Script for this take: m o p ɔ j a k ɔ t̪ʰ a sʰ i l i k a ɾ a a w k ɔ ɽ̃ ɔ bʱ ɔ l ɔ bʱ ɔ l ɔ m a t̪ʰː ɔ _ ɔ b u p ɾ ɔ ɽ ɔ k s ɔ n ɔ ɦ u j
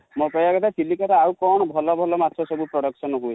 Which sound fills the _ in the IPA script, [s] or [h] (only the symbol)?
s